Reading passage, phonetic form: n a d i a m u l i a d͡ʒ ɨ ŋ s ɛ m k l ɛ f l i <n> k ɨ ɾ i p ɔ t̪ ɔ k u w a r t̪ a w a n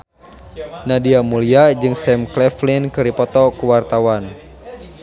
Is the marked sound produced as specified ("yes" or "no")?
yes